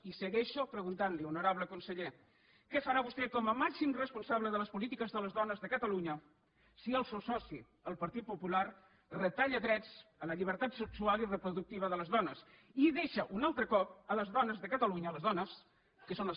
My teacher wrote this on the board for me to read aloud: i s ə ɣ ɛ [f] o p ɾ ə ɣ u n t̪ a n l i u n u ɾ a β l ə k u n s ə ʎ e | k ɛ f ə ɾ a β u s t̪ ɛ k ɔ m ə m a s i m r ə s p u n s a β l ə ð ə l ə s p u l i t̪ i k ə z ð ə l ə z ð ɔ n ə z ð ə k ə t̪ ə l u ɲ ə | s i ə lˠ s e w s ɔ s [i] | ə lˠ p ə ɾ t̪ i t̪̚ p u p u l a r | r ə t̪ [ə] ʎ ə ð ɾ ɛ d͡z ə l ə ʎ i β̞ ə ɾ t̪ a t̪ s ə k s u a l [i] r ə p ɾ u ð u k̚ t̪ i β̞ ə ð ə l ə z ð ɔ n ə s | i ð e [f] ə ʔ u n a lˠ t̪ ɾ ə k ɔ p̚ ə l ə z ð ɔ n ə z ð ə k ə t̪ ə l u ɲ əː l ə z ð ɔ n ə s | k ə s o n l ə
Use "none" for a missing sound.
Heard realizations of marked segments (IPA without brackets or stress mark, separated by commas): ʃ, i, a, i, ʃ